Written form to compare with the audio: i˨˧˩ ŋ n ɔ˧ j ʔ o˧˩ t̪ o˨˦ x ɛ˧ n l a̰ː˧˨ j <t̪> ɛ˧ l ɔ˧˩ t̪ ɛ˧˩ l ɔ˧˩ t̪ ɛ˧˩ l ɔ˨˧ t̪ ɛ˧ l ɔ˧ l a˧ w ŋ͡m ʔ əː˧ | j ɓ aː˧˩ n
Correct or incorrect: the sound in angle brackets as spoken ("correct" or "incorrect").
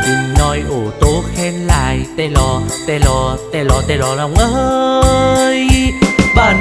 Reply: correct